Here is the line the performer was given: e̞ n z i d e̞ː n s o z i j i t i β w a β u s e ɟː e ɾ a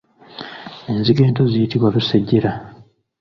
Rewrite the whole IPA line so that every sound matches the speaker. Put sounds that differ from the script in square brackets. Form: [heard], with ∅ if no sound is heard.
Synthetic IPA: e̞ n z i [ɡ] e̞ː n [t] o z i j i t i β w a β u s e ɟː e ɾ a